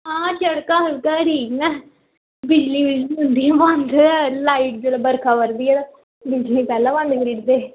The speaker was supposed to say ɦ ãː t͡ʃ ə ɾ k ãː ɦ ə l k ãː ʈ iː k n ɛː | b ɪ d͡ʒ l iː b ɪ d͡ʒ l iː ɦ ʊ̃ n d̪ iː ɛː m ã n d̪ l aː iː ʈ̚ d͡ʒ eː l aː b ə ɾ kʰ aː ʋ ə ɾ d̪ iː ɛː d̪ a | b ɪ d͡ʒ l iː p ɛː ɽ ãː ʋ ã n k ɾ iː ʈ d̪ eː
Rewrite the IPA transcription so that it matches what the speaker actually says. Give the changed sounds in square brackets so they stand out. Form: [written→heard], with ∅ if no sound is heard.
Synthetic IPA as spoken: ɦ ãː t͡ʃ ə [ɾ→ɽ] k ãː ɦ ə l k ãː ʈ iː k n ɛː | b ɪ d͡ʒ l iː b ɪ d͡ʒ l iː ɦ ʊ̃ n d̪ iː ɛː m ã n d̪ l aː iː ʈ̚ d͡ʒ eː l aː b ə ɾ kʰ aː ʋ ə ɾ d̪ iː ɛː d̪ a | b ɪ d͡ʒ l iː p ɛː [ɽ→l] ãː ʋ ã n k ɾ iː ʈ d̪ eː